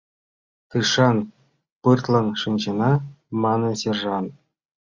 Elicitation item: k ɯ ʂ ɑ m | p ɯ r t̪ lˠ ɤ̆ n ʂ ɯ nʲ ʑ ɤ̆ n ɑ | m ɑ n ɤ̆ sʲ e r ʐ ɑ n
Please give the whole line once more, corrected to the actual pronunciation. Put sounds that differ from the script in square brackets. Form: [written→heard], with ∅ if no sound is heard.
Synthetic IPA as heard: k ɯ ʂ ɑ [m→n] | p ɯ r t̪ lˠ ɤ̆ n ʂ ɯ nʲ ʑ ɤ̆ n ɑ | m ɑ n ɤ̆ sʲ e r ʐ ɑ n